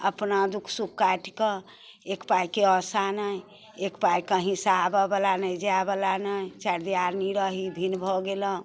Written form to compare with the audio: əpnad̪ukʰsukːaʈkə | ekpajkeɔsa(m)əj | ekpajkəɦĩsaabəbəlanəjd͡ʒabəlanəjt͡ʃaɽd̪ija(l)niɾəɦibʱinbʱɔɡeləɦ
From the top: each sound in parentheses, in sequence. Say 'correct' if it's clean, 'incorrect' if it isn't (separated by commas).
incorrect, incorrect